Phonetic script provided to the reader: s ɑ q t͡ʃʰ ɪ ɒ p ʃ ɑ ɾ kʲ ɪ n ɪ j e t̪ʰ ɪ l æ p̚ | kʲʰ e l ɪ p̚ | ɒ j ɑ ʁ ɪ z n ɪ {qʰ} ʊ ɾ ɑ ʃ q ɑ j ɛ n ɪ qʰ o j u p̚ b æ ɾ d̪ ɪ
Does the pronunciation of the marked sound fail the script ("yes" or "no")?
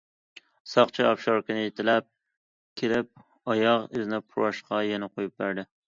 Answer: yes